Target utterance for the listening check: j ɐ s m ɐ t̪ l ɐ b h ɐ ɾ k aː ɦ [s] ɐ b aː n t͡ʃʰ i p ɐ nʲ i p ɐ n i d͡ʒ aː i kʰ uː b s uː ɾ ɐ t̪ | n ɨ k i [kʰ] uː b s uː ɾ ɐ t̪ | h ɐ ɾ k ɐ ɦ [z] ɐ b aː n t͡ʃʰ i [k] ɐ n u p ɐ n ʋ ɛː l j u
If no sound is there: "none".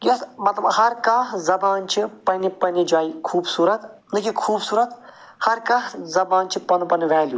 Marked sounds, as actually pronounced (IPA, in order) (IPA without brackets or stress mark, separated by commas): z, kʰ, z, p